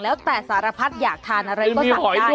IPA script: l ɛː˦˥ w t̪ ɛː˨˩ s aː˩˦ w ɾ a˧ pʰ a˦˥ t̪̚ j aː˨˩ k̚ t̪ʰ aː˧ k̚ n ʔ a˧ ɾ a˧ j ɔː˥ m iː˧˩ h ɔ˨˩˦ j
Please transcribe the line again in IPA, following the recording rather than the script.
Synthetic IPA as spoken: l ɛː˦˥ w t̪ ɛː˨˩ s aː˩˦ ɾ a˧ pʰ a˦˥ t̪̚ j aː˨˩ k̚ t̪ʰ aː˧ n ʔ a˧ ɾ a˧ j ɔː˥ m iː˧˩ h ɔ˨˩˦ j

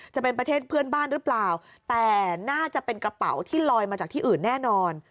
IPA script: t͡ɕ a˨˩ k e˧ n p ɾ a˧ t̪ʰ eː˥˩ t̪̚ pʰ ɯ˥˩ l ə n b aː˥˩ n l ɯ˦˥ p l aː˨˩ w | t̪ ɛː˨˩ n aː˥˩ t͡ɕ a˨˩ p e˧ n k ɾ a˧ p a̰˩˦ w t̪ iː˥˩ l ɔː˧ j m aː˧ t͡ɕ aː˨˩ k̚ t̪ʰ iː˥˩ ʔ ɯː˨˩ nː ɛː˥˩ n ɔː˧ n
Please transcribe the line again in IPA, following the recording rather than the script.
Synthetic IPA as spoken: t͡ɕ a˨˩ p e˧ n p ɾ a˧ t̪ʰ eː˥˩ t̪̚ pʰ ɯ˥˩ ə n b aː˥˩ n ɾ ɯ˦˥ p l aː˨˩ w | t̪ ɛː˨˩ n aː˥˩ t͡ɕ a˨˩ p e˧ n k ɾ a˧ p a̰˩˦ w t̪ʰ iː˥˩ l ɔː˧ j m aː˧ t͡ɕ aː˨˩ k̚ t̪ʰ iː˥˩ ʔ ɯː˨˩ nː ɛː˥˩ n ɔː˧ n

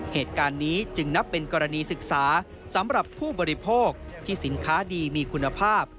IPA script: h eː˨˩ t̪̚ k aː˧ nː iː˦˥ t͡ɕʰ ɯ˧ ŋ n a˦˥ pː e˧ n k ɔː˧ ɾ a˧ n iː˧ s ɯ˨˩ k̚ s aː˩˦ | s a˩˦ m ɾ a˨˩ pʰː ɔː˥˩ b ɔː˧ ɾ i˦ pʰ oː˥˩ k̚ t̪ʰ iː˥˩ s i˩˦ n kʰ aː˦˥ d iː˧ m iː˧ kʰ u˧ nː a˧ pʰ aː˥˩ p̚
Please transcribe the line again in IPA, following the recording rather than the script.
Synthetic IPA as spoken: h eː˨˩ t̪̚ k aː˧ nː iː˦˥ t͡ɕ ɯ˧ ŋ n a˦˥ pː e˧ n k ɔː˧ ɾ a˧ n iː˧ s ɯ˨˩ k̚ s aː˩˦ | s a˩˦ m ɾ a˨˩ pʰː uː˥˩ b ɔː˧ ɾ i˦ pʰ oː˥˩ k̚ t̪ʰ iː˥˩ s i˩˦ n kʰ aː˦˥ d iː˧ m iː˧ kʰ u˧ nː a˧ pʰ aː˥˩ p̚

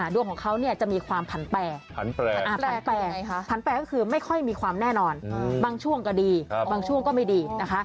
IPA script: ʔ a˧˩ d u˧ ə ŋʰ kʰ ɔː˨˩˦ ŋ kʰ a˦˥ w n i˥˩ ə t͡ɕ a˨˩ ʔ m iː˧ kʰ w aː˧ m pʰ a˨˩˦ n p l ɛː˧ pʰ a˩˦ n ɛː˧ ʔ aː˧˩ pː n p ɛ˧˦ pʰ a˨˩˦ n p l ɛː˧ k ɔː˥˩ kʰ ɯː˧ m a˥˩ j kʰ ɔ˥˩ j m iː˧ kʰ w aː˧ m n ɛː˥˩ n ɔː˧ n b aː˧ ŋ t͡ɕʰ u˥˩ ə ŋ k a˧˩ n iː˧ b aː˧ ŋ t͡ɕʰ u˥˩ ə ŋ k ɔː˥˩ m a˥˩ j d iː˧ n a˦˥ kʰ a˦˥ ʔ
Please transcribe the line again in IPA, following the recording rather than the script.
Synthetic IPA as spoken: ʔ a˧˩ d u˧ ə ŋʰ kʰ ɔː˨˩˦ ŋ kʰ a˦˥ w n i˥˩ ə t͡ɕ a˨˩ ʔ m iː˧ kʰ w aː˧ m pʰ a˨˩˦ n p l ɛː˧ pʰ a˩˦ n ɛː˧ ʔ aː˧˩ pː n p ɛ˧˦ pʰ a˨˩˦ n p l ɛː˧ k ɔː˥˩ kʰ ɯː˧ m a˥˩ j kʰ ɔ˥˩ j m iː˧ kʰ w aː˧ m n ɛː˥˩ n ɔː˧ n b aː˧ ŋ t͡ɕʰ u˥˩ ə ŋ k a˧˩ d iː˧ b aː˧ ŋ t͡ɕʰ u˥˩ ə ŋ k ɔː˥˩ m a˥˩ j d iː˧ n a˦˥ kʰ a˦˥ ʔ

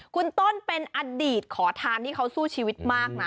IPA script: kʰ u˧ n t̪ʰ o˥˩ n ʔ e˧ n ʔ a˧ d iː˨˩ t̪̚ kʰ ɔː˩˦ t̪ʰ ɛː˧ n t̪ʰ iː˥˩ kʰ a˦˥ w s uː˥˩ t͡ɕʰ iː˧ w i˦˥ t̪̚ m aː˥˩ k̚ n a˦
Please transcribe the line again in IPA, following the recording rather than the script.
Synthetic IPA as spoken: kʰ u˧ n t̪ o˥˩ n p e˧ n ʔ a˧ d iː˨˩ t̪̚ kʰ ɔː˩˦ t̪ʰ aː˧ n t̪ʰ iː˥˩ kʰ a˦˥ w s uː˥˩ t͡ɕʰ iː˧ w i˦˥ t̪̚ m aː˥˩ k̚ n a˦

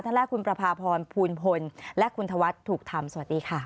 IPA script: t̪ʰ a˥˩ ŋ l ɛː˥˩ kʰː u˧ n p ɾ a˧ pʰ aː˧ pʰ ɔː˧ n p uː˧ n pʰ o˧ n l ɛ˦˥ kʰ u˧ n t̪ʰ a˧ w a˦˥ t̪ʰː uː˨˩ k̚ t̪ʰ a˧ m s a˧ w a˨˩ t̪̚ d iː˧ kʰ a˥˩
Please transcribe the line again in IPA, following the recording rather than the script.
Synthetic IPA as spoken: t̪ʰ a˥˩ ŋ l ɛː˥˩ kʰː u˧ n p ɾ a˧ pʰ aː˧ pʰ ɔː˧ n pʰ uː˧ n pʰ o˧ n l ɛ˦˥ kʰ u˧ n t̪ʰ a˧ w a˦˥ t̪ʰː uː˨˩ k̚ t̪ʰ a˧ m s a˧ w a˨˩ t̪̚ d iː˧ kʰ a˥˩

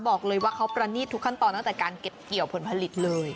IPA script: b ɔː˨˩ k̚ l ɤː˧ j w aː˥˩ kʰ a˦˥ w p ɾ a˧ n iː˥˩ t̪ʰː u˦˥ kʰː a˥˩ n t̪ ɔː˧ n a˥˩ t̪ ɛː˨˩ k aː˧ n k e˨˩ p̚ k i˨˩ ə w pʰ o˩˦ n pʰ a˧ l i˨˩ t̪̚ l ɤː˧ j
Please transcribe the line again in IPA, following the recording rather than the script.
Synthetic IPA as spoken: b ɔː˨˩ k̚ l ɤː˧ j w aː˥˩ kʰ a˦˥ w p ɾ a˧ n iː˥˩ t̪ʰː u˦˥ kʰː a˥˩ n t̪ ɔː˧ n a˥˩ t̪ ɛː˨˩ k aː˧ n k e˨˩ p̚ k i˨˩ ə w pʰ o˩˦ n pʰ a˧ l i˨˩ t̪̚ l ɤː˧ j

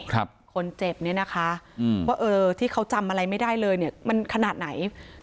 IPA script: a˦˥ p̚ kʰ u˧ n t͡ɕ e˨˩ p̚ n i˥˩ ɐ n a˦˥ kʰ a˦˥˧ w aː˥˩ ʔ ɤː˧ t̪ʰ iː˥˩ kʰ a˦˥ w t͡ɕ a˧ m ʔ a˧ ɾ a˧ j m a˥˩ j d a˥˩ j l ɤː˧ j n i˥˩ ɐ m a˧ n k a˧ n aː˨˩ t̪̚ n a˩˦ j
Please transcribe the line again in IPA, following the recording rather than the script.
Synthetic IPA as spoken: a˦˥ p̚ kʰ o˧ n t͡ɕ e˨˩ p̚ n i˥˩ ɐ n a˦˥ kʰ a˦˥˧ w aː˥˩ ʔ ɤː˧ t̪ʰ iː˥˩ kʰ a˦˥ w t͡ɕ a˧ m ʔ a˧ ɾ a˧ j m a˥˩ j d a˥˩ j l ɤː˧ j n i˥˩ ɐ m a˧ n kʰ a˧ n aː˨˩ t̪̚ n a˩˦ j

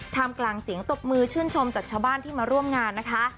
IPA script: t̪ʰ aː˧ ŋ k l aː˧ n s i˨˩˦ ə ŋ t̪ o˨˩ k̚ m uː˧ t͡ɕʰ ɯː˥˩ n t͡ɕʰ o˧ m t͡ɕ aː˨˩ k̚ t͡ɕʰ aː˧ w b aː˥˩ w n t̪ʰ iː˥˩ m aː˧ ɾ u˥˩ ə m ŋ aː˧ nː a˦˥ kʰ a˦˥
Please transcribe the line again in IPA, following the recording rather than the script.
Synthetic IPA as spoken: t̪ʰ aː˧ m k l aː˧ ŋ s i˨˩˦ ə ŋ t̪ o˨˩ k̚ m ɯː˧ t͡ɕʰ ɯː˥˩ n t͡ɕʰ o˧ m t͡ɕ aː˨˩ k̚ t͡ɕʰ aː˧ w b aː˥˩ n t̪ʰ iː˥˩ m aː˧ ɾ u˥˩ ə m ŋ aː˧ nː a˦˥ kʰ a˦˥

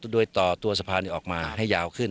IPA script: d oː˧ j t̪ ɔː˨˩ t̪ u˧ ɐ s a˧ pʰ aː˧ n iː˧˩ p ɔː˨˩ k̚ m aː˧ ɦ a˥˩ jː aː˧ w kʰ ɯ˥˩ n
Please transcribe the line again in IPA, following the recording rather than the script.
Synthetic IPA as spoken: d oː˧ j t̪ ɔː˨˩ t̪ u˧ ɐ s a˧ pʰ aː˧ n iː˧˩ ʔ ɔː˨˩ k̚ m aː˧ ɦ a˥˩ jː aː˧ w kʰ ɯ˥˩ n

